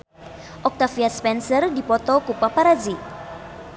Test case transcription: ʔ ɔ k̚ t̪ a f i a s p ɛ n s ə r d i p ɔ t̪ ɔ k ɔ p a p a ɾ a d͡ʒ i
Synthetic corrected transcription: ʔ ɔ k̚ t̪ a f i a s p ɛ n s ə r d i p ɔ t̪ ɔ k u p a p a ɾ a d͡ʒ i